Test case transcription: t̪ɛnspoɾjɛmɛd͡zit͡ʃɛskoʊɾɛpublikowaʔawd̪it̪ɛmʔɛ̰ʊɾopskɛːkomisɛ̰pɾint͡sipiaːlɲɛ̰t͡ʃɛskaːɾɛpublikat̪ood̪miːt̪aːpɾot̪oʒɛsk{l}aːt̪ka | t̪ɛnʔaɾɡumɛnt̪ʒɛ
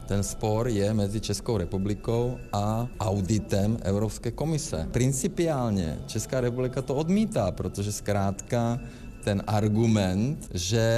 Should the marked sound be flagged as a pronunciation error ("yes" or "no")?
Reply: yes